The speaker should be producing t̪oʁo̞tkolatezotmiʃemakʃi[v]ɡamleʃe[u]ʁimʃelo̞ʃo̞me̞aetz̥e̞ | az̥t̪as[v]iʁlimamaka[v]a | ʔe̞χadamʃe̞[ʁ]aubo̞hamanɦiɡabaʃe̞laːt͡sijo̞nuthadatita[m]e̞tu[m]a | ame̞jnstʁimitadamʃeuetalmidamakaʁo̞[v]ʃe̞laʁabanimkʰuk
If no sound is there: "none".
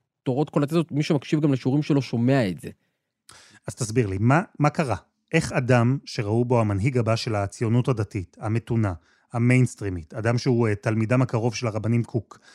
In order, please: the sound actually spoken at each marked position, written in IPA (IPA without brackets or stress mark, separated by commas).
v, u, b, ʁ, ʁ, m, n, v